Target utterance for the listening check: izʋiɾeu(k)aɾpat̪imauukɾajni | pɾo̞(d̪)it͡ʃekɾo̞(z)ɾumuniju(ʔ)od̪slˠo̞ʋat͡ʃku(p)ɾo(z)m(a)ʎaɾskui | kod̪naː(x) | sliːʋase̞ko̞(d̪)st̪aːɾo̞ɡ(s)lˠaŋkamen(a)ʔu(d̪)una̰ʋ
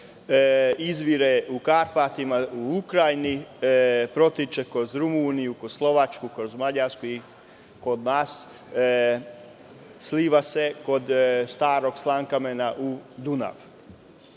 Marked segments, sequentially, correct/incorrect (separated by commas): correct, incorrect, correct, incorrect, incorrect, correct, correct, incorrect, correct, correct, correct, correct